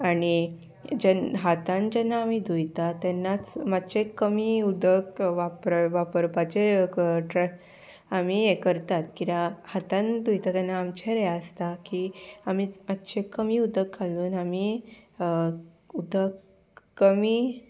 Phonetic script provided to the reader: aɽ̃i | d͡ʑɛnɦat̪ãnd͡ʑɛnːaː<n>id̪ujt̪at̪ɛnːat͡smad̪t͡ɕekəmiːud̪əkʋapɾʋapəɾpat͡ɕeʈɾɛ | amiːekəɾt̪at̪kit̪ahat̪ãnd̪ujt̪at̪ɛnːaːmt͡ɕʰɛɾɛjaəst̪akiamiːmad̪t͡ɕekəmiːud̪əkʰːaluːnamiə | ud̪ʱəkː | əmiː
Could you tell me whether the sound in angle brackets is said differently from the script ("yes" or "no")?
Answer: yes